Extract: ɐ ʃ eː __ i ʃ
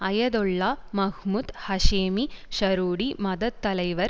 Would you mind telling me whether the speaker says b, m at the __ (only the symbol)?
m